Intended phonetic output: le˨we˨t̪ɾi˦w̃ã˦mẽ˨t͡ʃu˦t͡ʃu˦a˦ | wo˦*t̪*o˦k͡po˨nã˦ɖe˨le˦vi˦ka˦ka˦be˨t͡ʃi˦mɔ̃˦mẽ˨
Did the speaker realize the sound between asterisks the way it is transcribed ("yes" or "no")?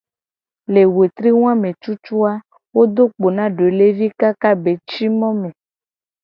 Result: no